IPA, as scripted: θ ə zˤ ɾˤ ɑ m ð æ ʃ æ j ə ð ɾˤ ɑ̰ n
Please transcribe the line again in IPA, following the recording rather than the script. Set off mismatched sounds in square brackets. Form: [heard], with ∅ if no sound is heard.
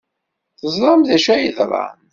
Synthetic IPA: θ ə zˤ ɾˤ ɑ m ð æ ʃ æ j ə ð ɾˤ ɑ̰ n

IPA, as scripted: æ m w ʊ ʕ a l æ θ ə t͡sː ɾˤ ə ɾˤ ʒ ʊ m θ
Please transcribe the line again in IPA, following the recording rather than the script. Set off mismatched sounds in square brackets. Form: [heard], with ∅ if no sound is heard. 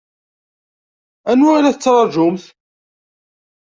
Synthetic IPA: æ [n] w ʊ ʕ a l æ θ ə t͡sː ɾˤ [ɑ] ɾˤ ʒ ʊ m θ

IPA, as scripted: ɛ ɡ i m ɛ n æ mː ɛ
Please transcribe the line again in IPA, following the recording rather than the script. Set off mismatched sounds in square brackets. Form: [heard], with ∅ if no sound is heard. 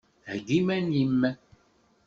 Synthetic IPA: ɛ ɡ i m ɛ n [i] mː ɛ

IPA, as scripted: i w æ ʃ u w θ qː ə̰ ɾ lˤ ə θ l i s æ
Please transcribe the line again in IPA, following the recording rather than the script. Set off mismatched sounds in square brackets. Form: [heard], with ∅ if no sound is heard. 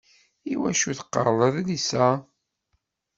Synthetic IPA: i w æ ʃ u [∅] θ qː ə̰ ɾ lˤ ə [ð] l i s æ

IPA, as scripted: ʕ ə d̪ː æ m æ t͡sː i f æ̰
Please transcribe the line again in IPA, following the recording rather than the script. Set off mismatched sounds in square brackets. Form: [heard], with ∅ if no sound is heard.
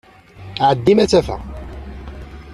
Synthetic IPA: ʕ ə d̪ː [i] m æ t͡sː [æ] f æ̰

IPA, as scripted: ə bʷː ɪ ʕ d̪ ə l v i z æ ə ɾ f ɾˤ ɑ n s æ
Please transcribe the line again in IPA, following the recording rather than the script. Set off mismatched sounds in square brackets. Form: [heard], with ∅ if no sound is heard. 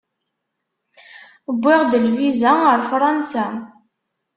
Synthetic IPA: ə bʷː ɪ [ʁ] d̪ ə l v i z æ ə ɾ f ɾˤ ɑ n s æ

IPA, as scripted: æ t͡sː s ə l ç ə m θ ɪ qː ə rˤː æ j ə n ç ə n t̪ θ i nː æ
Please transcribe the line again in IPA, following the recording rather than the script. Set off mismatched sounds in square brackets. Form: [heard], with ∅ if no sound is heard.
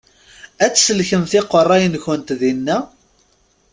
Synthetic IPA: æ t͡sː s ə l ç ə m θ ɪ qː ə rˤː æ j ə n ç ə n t̪ [ð] i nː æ

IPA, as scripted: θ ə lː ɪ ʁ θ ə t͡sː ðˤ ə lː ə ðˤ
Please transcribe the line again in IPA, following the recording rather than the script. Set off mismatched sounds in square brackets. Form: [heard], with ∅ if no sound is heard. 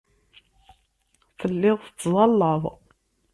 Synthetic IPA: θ ə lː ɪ ʁ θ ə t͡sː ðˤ [ɑ] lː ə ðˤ

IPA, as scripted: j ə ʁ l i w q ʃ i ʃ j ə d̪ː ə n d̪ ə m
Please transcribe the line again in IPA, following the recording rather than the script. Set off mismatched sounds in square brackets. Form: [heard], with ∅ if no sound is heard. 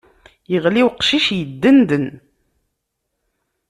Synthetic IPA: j ə ʁ l i w q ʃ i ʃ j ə d̪ː ə n d̪ ə [n]

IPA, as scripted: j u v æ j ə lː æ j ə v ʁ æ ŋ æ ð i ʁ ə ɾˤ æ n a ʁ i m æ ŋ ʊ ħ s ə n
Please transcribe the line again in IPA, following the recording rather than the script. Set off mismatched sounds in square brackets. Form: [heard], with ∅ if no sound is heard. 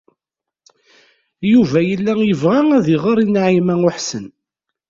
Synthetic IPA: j u v æ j ə lː æ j ə v ʁ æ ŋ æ ð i ʁ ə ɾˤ [i] n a [ʕ] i m æ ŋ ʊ ħ s ə n

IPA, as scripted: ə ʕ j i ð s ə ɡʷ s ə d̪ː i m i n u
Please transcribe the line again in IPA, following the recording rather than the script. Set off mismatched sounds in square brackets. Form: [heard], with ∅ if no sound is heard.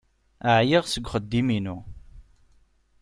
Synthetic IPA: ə ʕ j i [ʁ] s ə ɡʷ [χ] ə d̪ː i m i n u

